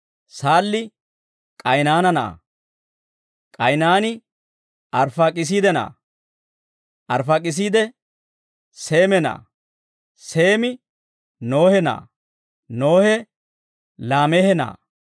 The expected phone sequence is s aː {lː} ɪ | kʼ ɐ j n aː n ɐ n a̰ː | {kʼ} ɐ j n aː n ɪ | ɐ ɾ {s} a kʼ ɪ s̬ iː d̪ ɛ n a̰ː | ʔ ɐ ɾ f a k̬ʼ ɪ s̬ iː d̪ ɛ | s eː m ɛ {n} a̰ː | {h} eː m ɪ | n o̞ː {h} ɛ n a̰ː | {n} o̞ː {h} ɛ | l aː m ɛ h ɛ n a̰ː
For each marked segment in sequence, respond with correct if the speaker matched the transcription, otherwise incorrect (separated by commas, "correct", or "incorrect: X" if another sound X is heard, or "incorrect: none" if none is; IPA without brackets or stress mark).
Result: correct, correct, incorrect: f, correct, incorrect: s, correct, correct, correct